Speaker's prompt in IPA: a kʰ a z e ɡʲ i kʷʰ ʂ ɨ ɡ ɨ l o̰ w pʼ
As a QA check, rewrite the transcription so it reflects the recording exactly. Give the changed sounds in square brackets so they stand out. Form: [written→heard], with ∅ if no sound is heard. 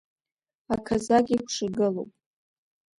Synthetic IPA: a kʰ a z [e→a] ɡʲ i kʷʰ ʂ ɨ ɡ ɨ l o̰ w pʼ